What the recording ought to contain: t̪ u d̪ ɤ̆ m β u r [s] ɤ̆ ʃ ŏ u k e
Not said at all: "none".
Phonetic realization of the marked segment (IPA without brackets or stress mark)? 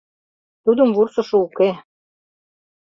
s